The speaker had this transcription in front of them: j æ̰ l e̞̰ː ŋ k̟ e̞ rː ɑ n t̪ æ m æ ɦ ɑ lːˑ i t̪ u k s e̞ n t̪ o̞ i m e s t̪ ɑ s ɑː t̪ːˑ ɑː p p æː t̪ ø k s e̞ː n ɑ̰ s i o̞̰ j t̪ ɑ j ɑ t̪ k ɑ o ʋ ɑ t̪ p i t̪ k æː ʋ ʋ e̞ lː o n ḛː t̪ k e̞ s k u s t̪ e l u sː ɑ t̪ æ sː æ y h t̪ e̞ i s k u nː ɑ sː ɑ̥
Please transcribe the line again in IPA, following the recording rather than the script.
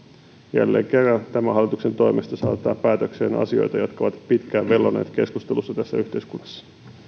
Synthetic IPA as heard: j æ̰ lː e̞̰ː ŋ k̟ e̞ rː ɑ n t̪ æ m æ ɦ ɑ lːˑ i t̪ u k s e̞ n t̪ o̞ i m e s t̪ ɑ s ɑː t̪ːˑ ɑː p p æː t̪ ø k s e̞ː n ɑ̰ s i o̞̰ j t̪ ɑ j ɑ t̪ k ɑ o ʋ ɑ t̪ p i t̪ k æː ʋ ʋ e̞ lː o n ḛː t̪ k e̞ s k u s t̪ e l u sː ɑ t̪ æ sː æ y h t̪ e̞ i s k u nː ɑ sː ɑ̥